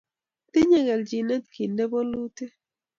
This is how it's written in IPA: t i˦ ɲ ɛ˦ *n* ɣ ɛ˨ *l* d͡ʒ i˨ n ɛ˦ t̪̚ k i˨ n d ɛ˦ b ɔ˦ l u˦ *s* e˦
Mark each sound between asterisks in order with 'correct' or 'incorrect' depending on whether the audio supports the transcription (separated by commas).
incorrect, correct, incorrect